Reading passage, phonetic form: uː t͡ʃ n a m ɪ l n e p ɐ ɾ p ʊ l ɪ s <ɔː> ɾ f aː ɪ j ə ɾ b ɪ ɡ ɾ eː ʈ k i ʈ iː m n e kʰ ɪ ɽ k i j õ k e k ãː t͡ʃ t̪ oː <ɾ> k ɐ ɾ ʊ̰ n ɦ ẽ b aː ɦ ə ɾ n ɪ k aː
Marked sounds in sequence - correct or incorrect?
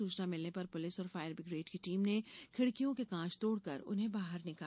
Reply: correct, incorrect: ɽ

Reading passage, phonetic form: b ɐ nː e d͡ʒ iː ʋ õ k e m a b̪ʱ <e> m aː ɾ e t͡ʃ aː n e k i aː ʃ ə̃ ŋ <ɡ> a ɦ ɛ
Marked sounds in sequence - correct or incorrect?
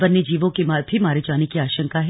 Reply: incorrect: i, incorrect: k

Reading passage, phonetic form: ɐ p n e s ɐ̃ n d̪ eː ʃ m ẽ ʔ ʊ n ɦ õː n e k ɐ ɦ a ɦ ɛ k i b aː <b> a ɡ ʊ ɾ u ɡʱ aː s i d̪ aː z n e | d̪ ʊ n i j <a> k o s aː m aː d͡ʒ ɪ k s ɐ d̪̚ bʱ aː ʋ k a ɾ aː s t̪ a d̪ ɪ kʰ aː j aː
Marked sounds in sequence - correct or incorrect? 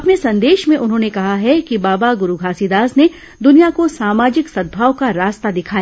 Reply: correct, correct

